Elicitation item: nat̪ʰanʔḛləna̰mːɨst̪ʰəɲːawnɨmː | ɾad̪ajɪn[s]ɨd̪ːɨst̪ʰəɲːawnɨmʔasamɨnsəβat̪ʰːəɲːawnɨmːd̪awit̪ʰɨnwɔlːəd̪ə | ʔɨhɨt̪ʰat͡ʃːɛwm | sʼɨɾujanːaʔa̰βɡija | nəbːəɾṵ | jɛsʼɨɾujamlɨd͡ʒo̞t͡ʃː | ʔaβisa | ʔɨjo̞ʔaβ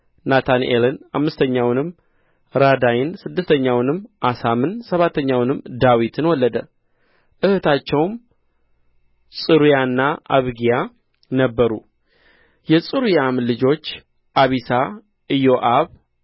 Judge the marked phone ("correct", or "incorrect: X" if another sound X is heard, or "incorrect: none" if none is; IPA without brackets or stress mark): correct